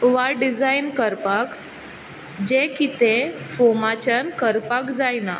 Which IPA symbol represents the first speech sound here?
ʋ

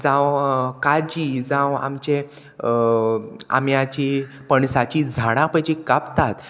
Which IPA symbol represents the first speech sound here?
d͡z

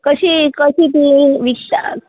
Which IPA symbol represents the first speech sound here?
k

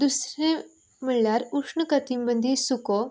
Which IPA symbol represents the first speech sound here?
d̪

